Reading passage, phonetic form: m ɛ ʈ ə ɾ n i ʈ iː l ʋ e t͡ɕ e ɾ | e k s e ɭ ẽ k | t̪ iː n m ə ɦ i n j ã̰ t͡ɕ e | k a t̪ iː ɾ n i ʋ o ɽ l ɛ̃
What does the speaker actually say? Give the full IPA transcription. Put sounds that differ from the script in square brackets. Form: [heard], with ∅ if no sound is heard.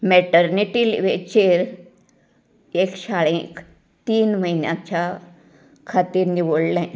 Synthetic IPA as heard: m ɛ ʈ ə ɾ n i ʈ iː l ʋ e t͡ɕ e ɾ | e k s [a] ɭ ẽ k | t̪ iː n m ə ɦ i n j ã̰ t͡ɕ [a] | [kʰ] a t̪ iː ɾ n i ʋ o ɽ l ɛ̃